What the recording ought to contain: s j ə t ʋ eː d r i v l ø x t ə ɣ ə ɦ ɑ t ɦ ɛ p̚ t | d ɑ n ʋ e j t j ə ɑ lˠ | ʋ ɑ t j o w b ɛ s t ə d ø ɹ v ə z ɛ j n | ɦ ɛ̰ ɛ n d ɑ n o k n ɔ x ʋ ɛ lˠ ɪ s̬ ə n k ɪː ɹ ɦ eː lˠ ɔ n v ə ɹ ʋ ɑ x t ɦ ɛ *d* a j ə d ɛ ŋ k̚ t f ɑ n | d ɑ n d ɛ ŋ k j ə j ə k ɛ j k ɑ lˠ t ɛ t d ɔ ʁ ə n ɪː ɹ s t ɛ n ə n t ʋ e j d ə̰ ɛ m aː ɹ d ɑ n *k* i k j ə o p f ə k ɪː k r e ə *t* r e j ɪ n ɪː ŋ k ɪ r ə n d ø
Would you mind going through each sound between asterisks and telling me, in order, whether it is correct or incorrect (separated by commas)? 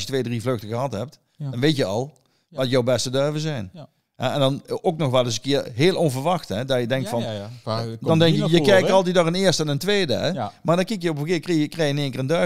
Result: correct, correct, incorrect